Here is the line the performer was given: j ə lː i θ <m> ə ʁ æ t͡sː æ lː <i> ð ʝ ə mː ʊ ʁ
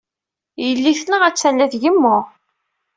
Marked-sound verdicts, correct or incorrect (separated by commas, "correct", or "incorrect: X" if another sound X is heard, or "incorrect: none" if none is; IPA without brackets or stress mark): incorrect: n, incorrect: æ